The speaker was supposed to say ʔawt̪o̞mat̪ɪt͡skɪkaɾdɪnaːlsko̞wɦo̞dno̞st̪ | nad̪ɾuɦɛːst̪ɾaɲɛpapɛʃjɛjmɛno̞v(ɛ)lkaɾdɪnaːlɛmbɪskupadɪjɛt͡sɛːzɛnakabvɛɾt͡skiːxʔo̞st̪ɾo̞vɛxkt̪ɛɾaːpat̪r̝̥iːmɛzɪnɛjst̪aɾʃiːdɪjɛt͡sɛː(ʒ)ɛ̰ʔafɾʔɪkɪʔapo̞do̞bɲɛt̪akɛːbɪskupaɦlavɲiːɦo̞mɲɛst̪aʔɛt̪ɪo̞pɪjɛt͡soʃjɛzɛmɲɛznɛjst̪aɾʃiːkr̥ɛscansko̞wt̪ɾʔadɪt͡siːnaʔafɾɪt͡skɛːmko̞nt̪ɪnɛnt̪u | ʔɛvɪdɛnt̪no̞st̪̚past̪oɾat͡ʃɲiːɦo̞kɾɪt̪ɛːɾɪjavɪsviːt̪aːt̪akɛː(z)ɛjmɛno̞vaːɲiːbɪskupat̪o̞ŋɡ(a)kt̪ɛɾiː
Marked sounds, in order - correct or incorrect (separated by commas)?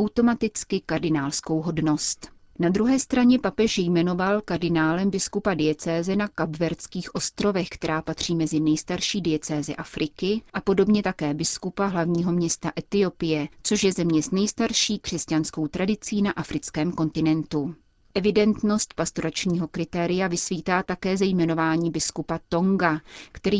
incorrect, incorrect, correct, correct